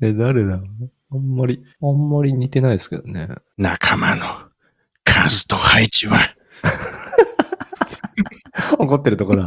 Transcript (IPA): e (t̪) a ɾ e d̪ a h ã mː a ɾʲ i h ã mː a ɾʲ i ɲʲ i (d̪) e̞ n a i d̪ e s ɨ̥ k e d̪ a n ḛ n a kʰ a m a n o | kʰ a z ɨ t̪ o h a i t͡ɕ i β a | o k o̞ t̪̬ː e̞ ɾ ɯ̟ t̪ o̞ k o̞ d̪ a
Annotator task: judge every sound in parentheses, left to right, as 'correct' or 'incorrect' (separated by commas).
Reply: incorrect, incorrect